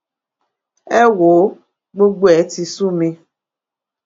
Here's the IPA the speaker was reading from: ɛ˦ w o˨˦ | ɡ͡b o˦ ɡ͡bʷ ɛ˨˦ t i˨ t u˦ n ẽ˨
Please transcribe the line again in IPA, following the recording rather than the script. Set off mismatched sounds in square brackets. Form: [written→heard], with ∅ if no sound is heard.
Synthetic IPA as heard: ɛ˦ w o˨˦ | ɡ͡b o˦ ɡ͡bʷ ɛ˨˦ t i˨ [t→s] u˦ [n→m] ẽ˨